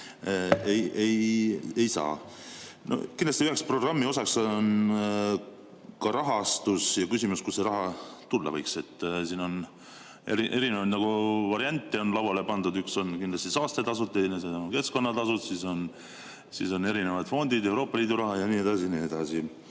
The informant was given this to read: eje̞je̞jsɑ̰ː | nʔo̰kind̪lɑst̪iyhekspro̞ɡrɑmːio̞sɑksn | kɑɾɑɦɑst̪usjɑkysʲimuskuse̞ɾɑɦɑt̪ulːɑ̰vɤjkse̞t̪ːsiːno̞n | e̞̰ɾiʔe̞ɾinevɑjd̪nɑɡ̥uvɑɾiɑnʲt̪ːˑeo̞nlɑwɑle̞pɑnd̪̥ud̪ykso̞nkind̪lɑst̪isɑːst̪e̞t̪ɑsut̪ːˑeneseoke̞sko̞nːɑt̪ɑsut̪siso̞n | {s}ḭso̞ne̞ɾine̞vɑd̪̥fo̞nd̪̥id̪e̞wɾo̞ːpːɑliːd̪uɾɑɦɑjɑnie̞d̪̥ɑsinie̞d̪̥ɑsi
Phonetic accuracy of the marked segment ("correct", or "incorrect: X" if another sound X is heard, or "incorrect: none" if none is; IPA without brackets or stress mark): correct